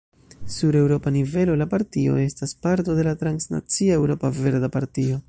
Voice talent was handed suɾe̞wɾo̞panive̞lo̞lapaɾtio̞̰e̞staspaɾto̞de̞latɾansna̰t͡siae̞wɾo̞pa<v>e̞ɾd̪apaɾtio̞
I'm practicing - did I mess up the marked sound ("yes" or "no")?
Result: no